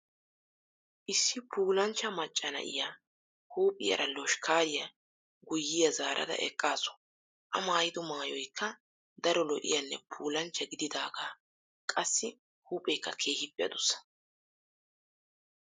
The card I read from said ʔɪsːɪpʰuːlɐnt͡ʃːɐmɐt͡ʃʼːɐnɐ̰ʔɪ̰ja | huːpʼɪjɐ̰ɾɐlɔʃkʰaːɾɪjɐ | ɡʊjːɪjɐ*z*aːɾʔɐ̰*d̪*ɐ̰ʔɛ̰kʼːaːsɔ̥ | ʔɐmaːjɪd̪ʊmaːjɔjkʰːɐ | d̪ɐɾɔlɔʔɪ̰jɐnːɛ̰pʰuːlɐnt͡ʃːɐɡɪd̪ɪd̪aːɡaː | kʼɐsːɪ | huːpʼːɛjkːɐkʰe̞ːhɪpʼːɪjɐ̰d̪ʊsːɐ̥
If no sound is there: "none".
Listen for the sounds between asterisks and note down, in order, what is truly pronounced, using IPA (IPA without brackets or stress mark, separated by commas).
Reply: z, d̪